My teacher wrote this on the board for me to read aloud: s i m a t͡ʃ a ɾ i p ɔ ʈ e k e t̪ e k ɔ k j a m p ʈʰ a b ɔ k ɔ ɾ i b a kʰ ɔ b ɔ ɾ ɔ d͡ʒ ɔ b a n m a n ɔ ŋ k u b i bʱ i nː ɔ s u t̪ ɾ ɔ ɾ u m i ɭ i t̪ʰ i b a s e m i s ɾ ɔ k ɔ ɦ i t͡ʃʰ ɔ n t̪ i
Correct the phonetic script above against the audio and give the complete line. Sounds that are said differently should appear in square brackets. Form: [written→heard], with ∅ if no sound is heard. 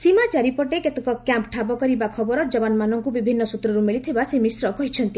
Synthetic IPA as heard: s i m a t͡ʃ a ɾ i p ɔ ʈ e k e t̪ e k ɔ k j a m p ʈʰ a b ɔ k ɔ ɾ i b a kʰ ɔ b ɔ ɾ ɔ d͡ʒ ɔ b a n m a n ɔ ŋ k u b i bʱ i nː ɔ s u t̪ ɾ ɔ ɾ u m i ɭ i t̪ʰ i b a s e m i s ɾ ɔ k ɔ ɦ i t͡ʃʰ ɔ n t̪ i